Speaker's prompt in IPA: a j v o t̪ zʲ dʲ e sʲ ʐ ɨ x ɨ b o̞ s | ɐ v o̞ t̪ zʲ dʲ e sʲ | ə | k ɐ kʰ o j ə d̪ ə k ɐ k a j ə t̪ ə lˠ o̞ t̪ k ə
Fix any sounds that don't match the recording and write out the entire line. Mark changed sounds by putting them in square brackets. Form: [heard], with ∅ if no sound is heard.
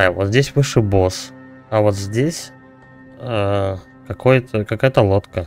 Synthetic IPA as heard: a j v o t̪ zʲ dʲ e sʲ [v] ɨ [ʂ] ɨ b o̞ s | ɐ v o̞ t̪ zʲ dʲ e sʲ | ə | k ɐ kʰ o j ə [t̪] ə k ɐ k a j ə t̪ ə lˠ o̞ t̪ k ə